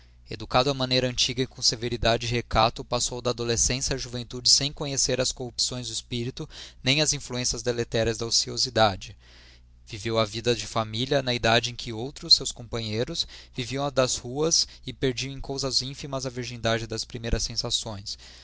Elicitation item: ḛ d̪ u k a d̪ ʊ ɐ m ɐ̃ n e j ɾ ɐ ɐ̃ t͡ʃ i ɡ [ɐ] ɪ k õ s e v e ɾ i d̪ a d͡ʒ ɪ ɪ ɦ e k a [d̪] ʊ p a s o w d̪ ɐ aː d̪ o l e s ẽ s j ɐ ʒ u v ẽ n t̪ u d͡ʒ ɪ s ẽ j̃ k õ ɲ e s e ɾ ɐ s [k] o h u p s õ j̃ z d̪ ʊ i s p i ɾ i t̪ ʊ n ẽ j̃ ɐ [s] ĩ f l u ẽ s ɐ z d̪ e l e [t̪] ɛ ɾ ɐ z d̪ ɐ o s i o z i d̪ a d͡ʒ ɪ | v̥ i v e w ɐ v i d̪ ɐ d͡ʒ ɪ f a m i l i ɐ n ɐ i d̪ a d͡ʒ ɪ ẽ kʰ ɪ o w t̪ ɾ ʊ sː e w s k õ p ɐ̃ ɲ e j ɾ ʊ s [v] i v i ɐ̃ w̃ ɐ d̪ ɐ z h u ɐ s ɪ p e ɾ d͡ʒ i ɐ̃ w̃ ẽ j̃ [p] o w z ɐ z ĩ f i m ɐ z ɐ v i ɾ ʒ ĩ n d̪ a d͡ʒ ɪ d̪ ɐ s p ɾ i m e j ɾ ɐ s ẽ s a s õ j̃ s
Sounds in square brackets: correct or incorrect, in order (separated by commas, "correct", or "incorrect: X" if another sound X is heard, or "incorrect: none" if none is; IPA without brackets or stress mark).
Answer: correct, incorrect: t̪, correct, incorrect: z, correct, correct, incorrect: k